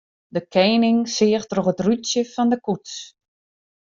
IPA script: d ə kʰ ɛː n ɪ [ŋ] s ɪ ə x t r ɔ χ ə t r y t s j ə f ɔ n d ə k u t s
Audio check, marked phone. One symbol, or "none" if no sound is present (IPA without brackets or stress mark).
ŋ